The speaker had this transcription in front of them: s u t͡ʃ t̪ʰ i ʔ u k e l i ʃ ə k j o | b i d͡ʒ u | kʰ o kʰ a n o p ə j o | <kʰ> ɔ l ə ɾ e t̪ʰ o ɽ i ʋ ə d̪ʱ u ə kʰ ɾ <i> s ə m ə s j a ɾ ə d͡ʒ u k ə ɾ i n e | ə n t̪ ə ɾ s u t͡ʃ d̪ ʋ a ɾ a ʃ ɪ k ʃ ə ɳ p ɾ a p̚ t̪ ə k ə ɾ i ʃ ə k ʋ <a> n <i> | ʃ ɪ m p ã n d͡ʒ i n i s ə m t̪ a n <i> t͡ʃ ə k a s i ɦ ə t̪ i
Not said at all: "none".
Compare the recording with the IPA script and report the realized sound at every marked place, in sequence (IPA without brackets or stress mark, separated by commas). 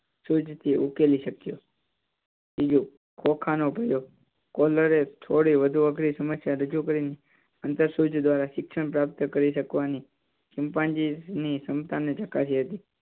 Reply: k, i, a, i, e